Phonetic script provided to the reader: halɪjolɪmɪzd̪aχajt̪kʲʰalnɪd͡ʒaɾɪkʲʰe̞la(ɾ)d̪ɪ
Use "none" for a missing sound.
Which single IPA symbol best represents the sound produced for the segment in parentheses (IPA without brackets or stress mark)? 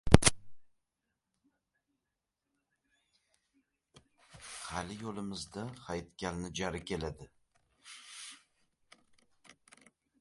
none